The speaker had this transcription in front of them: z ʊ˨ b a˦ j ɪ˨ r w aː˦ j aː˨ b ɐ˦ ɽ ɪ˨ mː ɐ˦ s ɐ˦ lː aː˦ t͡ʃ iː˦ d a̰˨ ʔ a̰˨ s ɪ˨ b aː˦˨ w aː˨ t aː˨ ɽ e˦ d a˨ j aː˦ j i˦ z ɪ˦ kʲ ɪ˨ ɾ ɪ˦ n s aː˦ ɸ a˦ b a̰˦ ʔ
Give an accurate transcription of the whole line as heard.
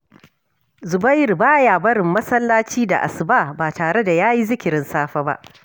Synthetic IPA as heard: z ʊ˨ b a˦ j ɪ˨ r b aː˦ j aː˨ b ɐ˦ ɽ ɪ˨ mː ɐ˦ s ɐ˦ lː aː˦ t͡ʃ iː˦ d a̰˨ ʔ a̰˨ s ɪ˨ b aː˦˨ b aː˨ t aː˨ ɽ e˦ d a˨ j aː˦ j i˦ z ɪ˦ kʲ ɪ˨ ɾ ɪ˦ n s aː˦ ɸ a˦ b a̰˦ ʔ